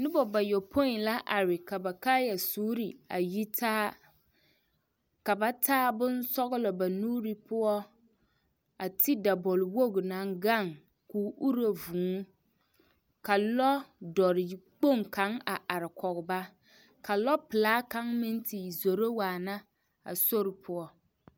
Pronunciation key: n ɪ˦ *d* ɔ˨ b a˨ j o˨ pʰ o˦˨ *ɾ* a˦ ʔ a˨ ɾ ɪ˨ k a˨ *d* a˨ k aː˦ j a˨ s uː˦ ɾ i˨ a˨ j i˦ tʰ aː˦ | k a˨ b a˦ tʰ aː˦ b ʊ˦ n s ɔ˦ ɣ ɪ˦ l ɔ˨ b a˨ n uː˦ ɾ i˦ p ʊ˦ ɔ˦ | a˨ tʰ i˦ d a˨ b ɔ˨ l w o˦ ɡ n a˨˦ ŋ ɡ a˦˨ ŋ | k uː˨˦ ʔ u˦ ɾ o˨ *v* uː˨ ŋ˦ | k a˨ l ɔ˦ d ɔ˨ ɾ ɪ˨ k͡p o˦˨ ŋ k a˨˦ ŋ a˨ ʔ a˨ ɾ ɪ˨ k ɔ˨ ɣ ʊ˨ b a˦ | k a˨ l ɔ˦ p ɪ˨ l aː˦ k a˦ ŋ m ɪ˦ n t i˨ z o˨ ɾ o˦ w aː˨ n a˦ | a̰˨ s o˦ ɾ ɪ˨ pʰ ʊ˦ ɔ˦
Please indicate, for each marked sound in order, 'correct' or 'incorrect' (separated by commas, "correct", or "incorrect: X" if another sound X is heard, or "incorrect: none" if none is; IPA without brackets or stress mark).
incorrect: b, incorrect: l, incorrect: b, correct